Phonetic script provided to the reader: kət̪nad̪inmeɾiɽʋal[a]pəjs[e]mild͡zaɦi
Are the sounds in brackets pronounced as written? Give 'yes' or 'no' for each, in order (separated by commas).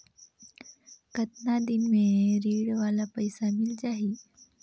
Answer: yes, no